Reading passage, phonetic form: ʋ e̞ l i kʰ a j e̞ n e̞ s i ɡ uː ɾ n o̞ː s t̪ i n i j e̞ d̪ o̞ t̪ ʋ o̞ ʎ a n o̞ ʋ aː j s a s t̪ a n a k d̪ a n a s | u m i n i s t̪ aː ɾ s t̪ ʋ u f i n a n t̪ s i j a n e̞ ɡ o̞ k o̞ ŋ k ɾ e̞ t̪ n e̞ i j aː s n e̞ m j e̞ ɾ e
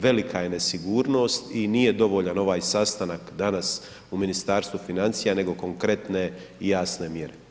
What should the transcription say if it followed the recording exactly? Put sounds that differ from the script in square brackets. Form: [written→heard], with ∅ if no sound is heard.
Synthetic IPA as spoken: ʋ e̞ l i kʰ a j e̞ n e̞ s i ɡ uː ɾ n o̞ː s t̪ i n i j e̞ d̪ o̞ [t̪→∅] ʋ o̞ ʎ a n o̞ ʋ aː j s a s t̪ a n a k d̪ a n a s | u m i n i s t̪ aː ɾ s t̪ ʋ u f i n a n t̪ s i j a n e̞ ɡ o̞ k o̞ ŋ k ɾ e̞ t̪ n e̞ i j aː s n e̞ m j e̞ ɾ e